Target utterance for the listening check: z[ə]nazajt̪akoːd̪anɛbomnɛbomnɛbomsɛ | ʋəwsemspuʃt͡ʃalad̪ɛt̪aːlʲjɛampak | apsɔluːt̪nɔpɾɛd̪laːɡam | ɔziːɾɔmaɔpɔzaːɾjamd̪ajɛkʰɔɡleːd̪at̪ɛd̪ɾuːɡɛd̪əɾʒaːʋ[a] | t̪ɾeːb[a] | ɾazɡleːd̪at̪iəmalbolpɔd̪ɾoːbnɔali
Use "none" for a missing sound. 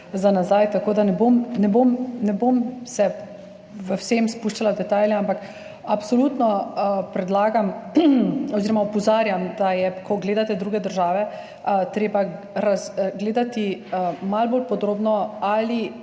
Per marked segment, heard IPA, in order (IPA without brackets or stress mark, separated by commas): a, ɛ, a